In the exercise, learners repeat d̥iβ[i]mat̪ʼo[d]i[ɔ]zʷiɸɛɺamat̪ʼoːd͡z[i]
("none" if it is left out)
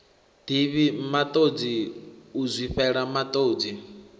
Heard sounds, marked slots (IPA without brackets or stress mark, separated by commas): i, d͡z, u, i